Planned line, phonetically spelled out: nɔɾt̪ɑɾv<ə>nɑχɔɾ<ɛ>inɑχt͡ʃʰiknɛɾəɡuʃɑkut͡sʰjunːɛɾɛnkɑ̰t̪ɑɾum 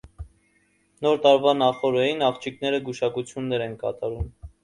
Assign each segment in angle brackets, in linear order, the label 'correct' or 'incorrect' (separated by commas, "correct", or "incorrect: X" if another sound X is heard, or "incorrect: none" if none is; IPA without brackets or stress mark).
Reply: incorrect: ɑ, correct